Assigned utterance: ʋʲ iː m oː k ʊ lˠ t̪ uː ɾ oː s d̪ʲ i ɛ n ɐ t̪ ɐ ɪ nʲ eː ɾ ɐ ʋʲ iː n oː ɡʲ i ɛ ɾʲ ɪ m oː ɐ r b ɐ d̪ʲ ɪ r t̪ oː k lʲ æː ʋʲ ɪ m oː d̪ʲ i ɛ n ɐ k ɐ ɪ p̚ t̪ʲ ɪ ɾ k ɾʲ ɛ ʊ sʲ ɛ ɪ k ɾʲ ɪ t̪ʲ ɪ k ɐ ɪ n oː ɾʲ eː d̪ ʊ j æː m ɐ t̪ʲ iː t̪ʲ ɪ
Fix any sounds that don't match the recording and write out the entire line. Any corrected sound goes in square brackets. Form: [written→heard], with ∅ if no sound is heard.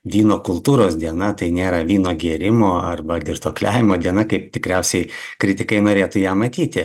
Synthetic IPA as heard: ʋʲ iː [m→n] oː k ʊ lˠ t̪ uː ɾ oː s d̪ʲ i ɛ n ɐ t̪ ɐ ɪ nʲ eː ɾ ɐ ʋʲ iː n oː ɡʲ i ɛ ɾʲ ɪ m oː ɐ r b ɐ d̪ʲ ɪ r t̪ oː k lʲ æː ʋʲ ɪ m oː d̪ʲ i ɛ n ɐ k ɐ ɪ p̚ t̪ʲ ɪ [ɾ→∅] k ɾʲ ɛ ʊ sʲ ɛ ɪ k ɾʲ ɪ t̪ʲ ɪ k ɐ ɪ n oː ɾʲ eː [d̪→t̪] ʊ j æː m ɐ t̪ʲ iː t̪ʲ ɪ